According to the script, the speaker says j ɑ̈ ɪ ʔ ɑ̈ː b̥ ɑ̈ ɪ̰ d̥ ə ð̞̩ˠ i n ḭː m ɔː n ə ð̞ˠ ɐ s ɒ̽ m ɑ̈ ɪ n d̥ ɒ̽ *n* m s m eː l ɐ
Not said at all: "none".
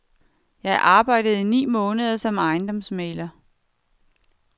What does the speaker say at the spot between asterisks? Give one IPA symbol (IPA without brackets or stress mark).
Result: none